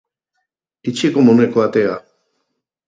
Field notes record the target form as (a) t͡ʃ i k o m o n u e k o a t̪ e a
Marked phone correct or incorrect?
incorrect